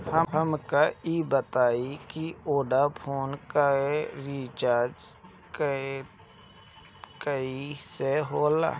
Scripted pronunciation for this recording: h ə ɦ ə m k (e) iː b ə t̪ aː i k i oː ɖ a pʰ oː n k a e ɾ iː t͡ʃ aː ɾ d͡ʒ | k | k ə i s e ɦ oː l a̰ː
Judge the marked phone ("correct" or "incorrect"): incorrect